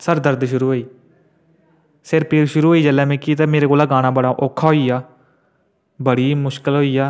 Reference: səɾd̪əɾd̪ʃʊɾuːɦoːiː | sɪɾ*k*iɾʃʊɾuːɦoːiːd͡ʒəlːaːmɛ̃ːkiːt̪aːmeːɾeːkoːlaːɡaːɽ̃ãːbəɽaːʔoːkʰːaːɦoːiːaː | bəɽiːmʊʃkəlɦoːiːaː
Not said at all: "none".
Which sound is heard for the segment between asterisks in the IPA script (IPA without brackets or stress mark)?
p